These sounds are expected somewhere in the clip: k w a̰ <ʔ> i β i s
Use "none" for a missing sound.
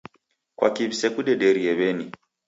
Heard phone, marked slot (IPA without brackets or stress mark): k